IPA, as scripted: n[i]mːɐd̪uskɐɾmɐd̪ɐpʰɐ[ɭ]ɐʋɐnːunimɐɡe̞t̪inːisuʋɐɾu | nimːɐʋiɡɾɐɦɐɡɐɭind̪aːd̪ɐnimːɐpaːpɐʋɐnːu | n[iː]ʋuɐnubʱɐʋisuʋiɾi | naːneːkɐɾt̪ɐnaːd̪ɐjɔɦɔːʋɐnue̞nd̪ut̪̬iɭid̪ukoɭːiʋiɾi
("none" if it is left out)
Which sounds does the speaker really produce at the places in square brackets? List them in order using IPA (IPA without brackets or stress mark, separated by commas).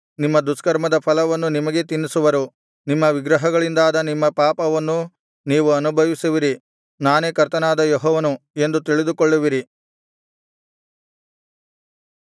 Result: i, l, iː